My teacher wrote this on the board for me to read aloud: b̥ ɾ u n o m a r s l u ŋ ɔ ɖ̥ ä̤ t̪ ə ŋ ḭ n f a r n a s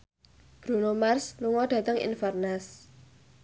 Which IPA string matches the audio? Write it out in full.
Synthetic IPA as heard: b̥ ɾ u n o m a r s l u ŋ ɔ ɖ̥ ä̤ t̪ ə ŋ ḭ n f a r n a s